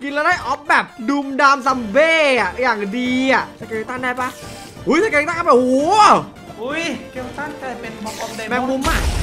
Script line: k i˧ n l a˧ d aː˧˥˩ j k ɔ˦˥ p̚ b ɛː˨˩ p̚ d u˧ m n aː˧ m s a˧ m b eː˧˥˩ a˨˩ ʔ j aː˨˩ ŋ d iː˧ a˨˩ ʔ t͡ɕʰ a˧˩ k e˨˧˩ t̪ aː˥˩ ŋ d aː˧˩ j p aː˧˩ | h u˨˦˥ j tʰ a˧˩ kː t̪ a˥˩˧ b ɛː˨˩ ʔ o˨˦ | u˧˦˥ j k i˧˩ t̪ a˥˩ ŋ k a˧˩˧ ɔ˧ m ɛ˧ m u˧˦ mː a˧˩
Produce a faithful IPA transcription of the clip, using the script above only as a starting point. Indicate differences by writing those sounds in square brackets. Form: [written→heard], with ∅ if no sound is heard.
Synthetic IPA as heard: k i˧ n l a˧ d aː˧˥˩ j [k→ʔ] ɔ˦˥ p̚ b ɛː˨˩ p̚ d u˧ m [n→d] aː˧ m s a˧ m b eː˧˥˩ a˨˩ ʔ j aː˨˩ ŋ d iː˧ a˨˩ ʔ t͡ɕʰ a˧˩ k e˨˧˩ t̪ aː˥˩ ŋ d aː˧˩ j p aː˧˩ | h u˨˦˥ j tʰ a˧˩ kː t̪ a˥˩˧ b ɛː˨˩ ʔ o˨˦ | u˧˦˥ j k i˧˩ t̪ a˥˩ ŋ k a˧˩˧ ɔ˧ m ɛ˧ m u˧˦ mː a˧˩